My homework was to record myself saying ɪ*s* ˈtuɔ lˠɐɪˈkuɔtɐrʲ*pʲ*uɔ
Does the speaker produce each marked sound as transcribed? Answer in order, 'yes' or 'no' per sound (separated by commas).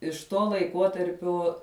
no, yes